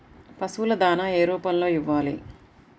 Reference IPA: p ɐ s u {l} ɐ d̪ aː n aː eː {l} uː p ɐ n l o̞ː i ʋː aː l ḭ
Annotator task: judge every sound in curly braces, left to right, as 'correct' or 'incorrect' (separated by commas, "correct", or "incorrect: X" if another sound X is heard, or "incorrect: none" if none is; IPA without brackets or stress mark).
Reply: correct, incorrect: ɾ